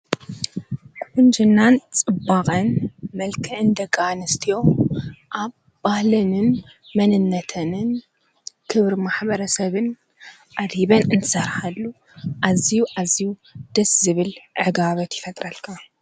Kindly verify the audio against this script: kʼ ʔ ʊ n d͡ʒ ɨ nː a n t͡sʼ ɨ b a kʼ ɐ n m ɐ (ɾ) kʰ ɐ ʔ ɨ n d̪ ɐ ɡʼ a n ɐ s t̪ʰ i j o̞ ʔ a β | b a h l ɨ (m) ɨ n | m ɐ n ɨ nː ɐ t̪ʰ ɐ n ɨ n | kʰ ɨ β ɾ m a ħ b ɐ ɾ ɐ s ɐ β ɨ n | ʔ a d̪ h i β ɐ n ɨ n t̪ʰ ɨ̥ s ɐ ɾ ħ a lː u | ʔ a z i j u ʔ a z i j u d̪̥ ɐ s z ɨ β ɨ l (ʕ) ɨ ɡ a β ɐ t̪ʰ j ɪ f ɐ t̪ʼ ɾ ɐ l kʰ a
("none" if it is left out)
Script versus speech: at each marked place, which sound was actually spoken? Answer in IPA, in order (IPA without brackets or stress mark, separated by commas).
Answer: l, n, ʕ